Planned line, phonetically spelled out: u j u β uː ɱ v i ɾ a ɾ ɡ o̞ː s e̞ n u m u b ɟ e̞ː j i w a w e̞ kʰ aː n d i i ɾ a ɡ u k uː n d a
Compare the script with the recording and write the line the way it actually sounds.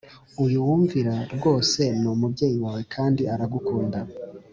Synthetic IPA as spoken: u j u w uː ɱ v i ɾ a ɾ ɡ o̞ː s e̞ n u m u b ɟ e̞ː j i w a w e̞ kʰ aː n d i a ɾ a ɡ u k uː n d a